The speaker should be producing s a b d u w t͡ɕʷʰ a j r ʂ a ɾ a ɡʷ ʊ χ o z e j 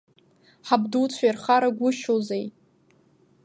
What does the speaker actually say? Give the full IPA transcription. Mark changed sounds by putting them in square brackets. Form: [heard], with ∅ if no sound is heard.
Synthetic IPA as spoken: [ħ] a b d u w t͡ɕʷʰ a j r [χ] a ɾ a ɡʷ ʊ [ʃ] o z e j